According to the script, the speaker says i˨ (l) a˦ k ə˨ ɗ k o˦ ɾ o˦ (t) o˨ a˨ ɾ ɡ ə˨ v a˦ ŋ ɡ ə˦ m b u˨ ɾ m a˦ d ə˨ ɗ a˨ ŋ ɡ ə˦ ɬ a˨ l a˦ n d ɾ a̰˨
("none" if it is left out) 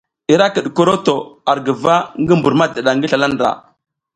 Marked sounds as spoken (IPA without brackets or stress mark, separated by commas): ɾ, t